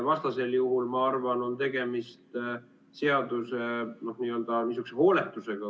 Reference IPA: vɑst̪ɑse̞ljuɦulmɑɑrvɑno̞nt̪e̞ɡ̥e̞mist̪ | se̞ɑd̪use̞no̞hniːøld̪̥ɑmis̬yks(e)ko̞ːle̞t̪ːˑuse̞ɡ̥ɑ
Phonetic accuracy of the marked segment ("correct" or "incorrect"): correct